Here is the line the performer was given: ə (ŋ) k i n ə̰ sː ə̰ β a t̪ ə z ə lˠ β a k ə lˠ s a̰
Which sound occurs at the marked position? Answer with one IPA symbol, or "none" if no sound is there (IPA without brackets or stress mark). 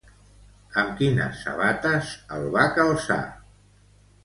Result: m